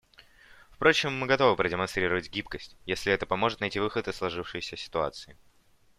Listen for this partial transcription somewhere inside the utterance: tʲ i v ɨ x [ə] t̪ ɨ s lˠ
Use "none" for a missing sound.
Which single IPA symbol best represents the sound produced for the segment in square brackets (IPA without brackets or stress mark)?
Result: ə